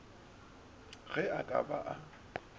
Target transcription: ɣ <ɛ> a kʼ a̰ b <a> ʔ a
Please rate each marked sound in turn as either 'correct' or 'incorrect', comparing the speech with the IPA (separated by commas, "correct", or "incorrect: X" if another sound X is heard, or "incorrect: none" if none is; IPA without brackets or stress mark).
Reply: correct, correct